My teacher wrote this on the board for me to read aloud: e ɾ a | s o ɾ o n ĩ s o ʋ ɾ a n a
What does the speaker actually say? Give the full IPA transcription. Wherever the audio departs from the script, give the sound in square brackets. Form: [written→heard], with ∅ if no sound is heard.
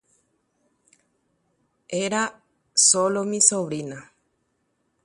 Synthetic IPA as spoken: e ɾ a | s o [ɾ→l] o [n→m] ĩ s o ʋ ɾ [a→i] n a